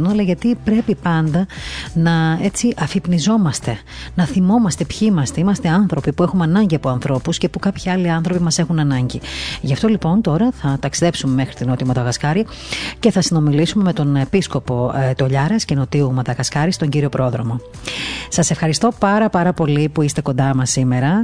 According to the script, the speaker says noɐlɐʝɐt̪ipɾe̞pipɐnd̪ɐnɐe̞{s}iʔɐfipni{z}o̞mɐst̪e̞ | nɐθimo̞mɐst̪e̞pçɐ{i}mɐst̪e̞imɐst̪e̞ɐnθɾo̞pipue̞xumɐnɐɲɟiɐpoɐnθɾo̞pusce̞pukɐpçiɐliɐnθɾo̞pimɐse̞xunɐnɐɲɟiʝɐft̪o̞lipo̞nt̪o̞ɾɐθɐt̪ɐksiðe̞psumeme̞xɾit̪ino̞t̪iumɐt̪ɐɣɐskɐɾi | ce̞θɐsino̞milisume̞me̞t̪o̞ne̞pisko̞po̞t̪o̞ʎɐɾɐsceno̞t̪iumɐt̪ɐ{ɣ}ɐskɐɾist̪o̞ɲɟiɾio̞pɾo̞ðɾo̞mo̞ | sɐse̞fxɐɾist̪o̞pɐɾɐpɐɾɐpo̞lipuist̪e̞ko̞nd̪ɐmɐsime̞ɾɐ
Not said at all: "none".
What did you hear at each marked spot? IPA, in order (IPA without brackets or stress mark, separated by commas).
t͡s, z, i, ɣ